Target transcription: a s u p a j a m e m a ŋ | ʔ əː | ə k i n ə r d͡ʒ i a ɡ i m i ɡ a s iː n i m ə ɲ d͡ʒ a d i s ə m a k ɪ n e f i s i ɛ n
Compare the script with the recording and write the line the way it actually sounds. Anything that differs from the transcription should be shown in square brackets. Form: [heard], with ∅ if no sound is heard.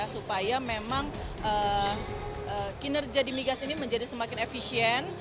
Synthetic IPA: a s u p a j a m e m a ŋ | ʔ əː | ə k i n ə r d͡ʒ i a [d] i m i ɡ a s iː n i m ə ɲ d͡ʒ a d i s ə m a k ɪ n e f i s i ɛ n

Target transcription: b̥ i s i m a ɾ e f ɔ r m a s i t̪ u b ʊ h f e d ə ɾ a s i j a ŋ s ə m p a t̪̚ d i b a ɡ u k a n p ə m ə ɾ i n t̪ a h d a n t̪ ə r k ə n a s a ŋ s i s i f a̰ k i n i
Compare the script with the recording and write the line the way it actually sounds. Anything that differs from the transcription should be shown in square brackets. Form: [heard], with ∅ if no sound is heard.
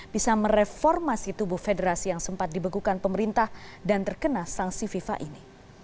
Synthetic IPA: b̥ i s [a] m [ə] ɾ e f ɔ r m a s i t̪ u b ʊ h f e d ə ɾ a s i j a ŋ s ə m p a t̪̚ d i b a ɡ u k a n p ə m ə ɾ i n t̪ a h d a n t̪ ə r k ə n a s a ŋ s i [f] i f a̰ [ʔ] i n i

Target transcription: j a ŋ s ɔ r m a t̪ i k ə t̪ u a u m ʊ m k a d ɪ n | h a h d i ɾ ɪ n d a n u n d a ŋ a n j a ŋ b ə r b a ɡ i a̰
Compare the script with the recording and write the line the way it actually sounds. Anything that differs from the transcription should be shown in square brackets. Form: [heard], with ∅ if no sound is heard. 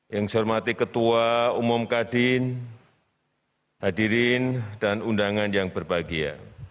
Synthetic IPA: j a ŋ s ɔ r m a t̪ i k ə t̪ u a u m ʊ m k a d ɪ n | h a [∅] d i ɾ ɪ n d a n u n d a ŋ a n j a ŋ b ə r b a ɡ i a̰

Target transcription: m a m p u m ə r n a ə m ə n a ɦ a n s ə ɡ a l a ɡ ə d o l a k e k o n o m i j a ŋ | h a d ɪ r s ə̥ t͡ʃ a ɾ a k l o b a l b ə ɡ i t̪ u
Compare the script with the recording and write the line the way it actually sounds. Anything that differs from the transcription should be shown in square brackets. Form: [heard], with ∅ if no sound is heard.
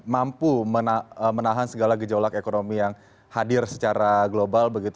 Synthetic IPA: m a m p u m ə [∅] n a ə m ə n a ɦ a n s ə ɡ a l a ɡ ə [d͡ʒ] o l a k e k o n o m i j a ŋ | h a d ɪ r s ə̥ t͡ʃ a ɾ a [ɡ] l o b a l b ə ɡ i t̪ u

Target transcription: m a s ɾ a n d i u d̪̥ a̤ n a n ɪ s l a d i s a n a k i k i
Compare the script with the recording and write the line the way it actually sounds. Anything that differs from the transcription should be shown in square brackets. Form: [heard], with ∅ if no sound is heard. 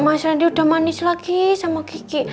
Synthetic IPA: m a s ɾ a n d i u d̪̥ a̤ [m] a n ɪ s l a [ɡ] i s a [m] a k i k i

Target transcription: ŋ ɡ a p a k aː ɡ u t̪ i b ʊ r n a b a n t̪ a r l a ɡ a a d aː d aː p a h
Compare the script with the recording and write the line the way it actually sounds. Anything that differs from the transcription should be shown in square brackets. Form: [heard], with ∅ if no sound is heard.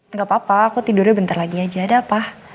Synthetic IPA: ŋ ɡ a p a [p] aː [k] u t̪ i [d] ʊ r [ɲ] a b [ə] n t̪ a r l a ɡ [i] a [d͡ʒ] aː d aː p a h

